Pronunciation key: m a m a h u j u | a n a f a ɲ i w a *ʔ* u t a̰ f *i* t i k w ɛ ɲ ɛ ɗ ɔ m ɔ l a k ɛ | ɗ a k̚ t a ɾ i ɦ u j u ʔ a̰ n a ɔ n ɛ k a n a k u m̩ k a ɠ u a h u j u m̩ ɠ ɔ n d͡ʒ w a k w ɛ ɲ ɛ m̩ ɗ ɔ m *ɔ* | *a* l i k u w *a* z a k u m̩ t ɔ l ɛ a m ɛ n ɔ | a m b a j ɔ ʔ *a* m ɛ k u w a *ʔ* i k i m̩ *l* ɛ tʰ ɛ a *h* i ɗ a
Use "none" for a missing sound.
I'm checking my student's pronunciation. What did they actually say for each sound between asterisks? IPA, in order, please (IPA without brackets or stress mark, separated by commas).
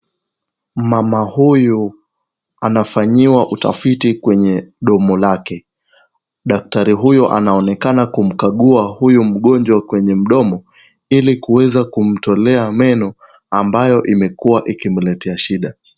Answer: ʔ, i, ɔ, i, ɛ, i, ʔ, l, ʃ